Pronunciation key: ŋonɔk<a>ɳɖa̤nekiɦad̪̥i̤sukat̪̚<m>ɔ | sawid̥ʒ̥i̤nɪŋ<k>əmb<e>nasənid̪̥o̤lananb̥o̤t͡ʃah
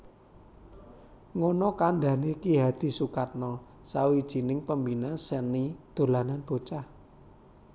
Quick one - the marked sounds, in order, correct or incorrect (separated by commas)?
correct, incorrect, incorrect, incorrect